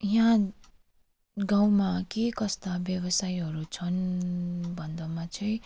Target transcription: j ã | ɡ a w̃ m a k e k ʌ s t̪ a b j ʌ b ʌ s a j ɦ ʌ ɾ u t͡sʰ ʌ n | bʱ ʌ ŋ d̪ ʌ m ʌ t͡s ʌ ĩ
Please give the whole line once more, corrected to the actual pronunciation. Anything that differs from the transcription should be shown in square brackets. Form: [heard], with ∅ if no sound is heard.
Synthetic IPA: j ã | ɡ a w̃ m a k e k ʌ s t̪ a b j ʌ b ʌ s a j ɦ ʌ ɾ u t͡sʰ ʌ n | bʱ ʌ [n] d̪ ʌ m [a] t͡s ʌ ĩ